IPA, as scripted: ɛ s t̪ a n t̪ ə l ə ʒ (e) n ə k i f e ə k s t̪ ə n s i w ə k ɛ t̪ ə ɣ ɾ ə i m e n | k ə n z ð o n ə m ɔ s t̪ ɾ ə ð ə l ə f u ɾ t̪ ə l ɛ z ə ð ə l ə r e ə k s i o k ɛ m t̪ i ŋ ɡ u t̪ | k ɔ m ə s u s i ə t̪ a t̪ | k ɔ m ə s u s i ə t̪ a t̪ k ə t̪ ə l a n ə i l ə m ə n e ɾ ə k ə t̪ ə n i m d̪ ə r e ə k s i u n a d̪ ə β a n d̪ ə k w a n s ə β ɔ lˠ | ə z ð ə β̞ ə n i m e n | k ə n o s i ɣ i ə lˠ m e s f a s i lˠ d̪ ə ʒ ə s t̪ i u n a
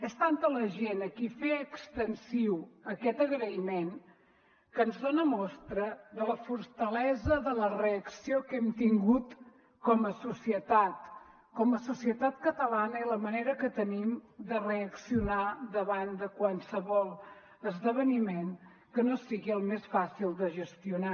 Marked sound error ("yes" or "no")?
no